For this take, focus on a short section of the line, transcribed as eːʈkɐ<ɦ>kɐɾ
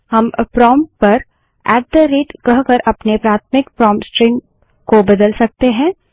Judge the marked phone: correct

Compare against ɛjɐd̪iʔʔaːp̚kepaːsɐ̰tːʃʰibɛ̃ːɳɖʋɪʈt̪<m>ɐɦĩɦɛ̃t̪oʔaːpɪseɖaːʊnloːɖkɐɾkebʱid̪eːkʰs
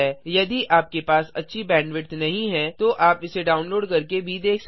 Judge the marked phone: incorrect: n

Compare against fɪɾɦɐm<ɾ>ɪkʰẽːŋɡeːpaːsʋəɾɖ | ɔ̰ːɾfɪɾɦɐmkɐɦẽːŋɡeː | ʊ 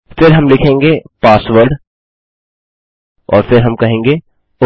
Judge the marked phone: incorrect: l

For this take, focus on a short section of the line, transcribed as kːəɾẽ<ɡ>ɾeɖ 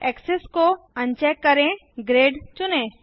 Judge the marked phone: correct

